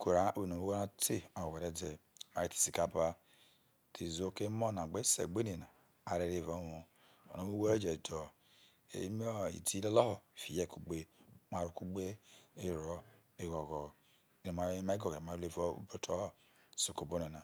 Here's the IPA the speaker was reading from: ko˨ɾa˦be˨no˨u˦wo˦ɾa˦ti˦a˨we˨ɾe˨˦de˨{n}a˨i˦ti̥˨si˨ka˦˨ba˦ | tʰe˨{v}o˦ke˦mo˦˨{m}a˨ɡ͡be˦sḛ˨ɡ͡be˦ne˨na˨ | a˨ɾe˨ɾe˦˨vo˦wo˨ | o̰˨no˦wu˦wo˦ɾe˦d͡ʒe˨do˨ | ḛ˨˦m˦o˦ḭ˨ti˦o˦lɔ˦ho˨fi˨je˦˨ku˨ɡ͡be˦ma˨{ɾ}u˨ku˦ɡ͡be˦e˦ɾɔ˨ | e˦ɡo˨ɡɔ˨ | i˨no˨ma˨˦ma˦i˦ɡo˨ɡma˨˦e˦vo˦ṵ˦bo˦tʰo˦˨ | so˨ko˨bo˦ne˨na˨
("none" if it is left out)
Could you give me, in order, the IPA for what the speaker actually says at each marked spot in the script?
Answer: m, z, n, ɾ

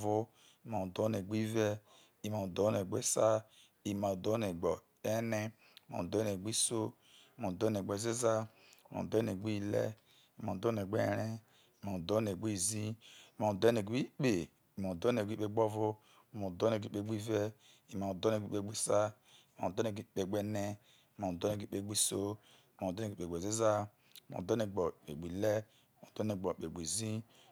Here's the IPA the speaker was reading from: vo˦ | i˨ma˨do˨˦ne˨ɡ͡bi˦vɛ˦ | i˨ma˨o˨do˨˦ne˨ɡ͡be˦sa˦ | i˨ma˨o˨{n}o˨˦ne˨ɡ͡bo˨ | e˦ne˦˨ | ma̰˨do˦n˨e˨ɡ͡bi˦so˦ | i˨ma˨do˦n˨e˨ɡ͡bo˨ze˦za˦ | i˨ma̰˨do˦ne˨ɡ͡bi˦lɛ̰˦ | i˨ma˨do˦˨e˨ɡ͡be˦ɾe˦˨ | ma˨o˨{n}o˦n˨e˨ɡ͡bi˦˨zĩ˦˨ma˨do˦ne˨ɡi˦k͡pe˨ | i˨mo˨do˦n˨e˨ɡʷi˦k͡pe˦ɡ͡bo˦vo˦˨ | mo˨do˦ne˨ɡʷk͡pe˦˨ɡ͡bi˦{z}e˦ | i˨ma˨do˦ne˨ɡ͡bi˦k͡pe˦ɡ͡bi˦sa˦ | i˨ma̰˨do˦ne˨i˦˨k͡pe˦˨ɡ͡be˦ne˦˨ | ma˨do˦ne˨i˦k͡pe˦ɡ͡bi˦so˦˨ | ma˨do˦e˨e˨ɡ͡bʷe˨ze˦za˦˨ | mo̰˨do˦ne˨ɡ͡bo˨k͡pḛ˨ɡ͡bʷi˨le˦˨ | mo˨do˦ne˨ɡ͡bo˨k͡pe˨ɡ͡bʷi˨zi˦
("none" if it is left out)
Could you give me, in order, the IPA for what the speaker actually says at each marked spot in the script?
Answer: d, d, v

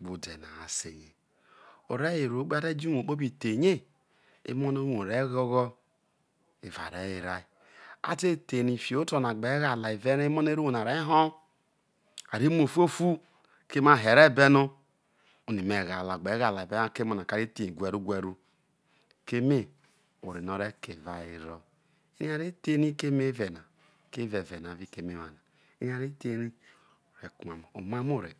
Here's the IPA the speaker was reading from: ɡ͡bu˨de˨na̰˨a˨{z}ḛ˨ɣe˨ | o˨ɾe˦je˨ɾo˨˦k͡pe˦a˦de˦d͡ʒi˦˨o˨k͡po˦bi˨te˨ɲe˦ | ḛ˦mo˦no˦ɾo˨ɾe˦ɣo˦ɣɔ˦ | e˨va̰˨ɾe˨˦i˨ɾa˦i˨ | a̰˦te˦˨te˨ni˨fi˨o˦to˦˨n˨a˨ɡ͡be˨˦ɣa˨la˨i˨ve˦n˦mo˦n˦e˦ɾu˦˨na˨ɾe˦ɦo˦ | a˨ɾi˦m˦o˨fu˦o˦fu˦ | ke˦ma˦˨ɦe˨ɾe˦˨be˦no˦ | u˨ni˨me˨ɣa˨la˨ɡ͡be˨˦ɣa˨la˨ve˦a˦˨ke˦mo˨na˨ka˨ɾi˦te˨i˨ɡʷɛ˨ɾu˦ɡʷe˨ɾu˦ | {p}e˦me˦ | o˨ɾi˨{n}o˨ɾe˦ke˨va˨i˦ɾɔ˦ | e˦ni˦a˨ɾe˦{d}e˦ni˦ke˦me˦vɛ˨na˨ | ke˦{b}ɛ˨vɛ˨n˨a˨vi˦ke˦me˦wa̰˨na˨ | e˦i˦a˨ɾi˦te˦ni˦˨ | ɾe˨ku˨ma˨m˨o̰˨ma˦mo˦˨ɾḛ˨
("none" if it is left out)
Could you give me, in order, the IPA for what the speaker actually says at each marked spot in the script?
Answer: s, k, n, t, v

